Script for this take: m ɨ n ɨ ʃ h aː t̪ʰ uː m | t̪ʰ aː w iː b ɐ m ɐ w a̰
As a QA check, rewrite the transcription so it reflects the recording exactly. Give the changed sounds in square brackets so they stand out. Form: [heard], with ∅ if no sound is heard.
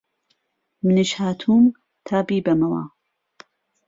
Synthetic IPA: m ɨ n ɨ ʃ h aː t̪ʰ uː m | t̪ʰ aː [b] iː b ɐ m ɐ w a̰